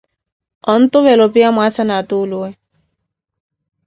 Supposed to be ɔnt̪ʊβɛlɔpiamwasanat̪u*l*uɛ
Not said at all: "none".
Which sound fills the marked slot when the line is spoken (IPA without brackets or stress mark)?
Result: l